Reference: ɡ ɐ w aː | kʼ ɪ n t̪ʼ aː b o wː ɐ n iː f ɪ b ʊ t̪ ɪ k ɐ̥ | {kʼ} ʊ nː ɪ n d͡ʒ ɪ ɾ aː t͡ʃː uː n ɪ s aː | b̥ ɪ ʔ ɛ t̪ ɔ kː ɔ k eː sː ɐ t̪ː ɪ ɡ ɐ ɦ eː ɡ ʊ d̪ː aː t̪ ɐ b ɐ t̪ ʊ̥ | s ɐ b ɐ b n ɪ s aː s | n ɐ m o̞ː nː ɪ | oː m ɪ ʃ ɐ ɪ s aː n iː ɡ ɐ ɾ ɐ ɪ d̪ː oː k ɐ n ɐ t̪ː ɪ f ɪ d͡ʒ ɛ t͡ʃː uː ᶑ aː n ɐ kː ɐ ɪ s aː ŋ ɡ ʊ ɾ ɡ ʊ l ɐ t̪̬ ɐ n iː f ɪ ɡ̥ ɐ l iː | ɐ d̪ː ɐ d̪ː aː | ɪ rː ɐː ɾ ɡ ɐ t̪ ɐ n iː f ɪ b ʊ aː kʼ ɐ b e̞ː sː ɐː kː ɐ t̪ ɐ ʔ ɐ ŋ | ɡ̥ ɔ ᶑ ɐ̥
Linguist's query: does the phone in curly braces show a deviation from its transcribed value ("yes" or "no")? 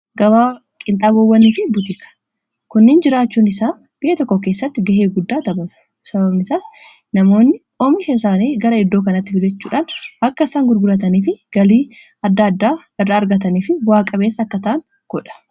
yes